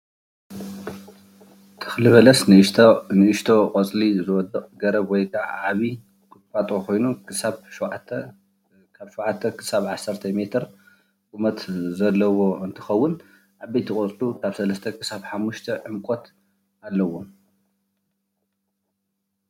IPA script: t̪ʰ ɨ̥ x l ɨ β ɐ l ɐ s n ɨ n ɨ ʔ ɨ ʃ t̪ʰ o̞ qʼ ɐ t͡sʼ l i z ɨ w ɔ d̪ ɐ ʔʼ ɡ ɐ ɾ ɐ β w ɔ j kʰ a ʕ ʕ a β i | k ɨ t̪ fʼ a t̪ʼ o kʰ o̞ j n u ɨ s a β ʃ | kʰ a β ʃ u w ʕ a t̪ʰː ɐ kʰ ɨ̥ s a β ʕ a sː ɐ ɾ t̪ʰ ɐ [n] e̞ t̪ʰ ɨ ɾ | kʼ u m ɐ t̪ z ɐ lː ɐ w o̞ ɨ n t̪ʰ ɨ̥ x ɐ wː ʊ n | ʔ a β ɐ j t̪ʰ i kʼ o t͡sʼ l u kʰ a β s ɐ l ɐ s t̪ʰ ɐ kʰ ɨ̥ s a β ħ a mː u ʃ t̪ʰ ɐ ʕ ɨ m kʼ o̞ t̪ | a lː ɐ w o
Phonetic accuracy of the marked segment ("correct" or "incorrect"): incorrect